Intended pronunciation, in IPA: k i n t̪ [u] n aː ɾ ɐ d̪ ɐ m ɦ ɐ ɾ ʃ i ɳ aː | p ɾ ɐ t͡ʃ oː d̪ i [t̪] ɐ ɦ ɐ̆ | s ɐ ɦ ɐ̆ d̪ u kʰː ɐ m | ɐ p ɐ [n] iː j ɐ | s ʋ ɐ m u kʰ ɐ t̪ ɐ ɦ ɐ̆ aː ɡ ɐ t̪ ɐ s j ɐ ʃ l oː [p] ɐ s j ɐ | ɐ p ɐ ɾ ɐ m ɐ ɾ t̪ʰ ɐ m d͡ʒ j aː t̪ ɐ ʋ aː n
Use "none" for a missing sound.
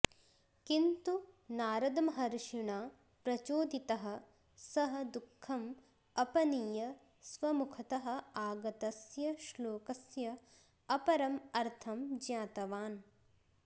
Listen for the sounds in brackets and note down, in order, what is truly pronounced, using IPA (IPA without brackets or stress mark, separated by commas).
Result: u, t̪, n, k